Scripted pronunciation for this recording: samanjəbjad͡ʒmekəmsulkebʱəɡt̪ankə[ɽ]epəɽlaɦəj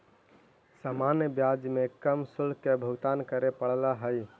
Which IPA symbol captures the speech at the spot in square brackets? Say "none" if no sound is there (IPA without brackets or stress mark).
ɾ